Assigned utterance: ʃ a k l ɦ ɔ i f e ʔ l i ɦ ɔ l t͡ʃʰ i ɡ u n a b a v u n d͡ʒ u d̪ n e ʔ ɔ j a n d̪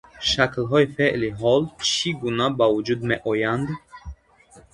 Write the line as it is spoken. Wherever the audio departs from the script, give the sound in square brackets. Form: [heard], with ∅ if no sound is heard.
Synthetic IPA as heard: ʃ a k l ɦ ɔ i f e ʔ l i ɦ ɔ l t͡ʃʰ i ɡ u n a b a v u [∅] d͡ʒ u d̪ [m] e ʔ ɔ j a n d̪